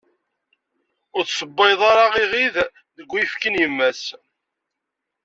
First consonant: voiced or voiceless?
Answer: voiced